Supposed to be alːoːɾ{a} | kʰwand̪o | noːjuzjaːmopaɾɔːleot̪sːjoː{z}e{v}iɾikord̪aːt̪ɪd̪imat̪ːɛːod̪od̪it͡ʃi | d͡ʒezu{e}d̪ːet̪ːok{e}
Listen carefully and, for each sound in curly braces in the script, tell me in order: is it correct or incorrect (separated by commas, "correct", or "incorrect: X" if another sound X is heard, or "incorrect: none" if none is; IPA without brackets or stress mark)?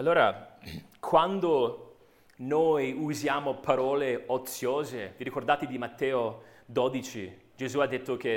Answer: correct, correct, correct, incorrect: a, correct